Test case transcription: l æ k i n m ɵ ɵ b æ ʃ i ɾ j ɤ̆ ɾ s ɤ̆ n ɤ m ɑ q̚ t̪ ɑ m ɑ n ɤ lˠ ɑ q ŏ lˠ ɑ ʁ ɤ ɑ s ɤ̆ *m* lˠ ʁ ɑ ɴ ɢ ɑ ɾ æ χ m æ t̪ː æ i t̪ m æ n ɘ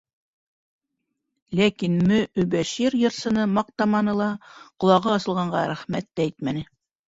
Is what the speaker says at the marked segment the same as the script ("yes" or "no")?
no